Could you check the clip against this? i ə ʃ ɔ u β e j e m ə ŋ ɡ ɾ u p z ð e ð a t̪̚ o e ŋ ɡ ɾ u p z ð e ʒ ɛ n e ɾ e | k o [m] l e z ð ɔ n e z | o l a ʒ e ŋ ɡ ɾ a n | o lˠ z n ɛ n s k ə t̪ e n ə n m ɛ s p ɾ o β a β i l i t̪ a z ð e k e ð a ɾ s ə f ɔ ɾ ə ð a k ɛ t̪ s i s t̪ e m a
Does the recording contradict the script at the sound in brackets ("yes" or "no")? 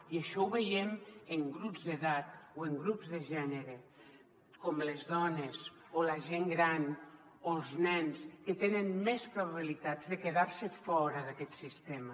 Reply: no